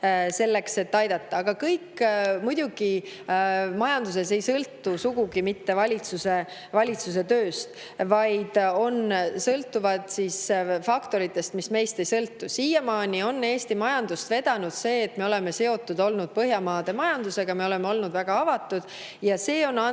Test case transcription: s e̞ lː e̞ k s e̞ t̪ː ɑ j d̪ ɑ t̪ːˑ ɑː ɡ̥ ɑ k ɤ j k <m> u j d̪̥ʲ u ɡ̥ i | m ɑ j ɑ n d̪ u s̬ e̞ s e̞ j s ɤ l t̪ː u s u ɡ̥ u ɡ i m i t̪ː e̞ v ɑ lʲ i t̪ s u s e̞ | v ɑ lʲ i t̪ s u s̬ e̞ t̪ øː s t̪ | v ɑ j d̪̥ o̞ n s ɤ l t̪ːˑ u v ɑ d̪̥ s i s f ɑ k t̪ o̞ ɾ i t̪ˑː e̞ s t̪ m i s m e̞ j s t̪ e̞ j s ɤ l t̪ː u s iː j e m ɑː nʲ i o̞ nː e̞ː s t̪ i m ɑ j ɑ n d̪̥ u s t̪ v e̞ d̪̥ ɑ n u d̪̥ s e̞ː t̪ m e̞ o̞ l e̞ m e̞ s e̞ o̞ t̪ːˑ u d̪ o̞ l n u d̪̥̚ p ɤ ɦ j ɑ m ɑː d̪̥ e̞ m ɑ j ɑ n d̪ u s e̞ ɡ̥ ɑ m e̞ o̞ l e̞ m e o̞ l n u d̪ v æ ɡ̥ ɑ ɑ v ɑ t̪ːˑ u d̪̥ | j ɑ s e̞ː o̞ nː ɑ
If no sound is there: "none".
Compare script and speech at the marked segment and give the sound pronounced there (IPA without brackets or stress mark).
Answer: m